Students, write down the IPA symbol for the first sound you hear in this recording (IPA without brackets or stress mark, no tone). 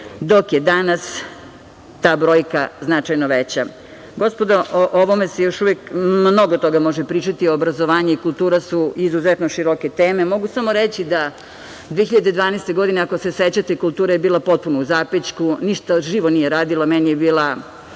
d̪